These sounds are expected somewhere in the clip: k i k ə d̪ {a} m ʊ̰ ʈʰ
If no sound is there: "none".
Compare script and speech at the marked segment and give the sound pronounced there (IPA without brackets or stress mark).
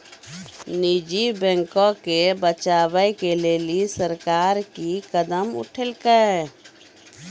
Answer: ə